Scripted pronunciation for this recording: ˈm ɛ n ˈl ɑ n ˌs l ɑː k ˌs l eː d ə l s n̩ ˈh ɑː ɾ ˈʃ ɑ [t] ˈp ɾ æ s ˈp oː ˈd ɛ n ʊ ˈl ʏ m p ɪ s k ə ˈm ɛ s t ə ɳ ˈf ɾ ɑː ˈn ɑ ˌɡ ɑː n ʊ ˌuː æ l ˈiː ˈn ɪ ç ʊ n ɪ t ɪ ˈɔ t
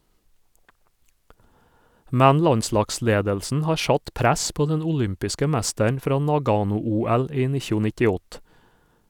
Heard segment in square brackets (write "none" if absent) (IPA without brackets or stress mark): t